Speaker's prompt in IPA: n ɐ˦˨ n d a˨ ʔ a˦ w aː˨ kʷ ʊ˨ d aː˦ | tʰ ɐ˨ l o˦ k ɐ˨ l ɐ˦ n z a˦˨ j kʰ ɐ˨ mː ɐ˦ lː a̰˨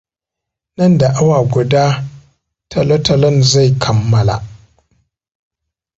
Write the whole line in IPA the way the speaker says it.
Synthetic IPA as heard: n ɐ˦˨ n d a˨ ʔ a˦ w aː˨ ɡʷ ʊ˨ d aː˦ | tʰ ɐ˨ l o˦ t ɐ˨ l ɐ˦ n z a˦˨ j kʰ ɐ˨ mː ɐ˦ l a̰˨